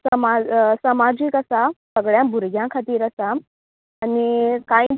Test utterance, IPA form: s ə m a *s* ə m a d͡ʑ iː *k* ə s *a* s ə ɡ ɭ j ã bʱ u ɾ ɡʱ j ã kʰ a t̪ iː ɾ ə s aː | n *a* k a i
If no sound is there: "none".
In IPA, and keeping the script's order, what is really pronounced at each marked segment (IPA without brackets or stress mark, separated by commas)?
s, k, a, i